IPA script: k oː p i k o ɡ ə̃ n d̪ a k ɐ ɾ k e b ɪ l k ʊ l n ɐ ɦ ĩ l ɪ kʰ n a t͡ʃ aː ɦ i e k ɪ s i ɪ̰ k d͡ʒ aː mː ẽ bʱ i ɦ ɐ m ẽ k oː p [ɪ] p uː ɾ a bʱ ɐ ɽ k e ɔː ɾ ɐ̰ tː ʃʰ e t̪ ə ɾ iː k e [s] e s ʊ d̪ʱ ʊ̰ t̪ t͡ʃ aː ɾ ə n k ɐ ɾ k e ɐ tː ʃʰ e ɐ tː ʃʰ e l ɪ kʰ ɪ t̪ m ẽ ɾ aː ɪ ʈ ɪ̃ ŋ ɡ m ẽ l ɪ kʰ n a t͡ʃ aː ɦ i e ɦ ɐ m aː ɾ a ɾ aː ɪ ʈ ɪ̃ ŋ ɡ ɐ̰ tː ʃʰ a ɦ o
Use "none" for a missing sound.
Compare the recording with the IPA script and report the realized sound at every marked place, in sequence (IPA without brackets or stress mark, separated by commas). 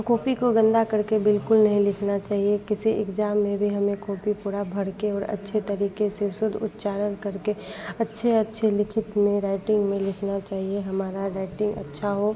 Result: i, s